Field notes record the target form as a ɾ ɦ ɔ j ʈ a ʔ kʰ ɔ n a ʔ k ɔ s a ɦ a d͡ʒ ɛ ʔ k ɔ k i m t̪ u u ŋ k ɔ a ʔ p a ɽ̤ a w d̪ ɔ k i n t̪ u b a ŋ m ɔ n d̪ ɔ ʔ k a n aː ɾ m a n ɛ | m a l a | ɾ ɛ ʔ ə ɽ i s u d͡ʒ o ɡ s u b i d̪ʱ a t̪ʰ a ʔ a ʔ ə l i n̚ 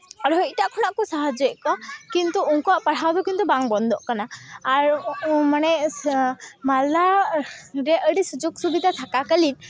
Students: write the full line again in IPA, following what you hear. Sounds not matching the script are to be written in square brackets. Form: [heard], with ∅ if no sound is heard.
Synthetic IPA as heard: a ɾ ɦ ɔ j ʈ a ʔ kʰ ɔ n a ʔ k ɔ s a ɦ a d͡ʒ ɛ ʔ k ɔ k i [n] t̪ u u ŋ k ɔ a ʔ p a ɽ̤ a w d̪ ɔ k i n t̪ u b a ŋ [b] ɔ n d̪ ɔ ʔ k a n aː ɾ m a n ɛ | m a l a | ɾ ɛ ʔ ə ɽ i s u d͡ʒ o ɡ s u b i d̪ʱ a t̪ʰ a [k] a [k] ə l i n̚